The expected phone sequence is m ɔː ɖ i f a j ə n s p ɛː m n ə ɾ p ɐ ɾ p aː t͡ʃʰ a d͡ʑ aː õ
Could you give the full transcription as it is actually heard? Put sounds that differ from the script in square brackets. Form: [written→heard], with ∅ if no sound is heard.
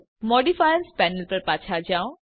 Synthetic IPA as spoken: m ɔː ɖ i f a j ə n s p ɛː [m→∅] n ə [ɾ→l] p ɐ ɾ p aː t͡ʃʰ a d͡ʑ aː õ